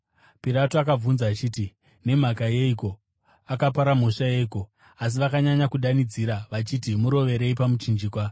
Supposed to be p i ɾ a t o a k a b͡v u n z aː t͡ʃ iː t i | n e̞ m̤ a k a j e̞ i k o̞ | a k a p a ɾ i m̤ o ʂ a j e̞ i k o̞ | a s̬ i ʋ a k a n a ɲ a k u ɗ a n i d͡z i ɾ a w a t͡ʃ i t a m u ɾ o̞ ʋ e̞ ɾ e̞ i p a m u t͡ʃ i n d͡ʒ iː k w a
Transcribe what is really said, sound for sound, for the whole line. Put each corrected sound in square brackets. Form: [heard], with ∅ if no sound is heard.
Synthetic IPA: p i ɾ a t o a k a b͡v u n z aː t͡ʃ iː t i | n e̞ m̤ a k a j e̞ i k o̞ | a k a p a ɾ [a] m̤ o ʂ a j e̞ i k o̞ | a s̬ i ʋ a k a [ɲ] a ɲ a k u ɗ a n i d͡z i ɾ a [ʋ] a t͡ʃ i t [i] m u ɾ o̞ ʋ e̞ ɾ e̞ i p a m u t͡ʃ i n d͡ʒ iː k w a